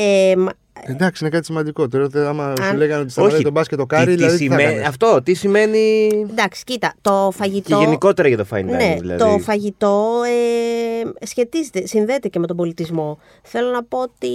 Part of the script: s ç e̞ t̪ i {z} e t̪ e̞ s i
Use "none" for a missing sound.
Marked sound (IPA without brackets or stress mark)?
z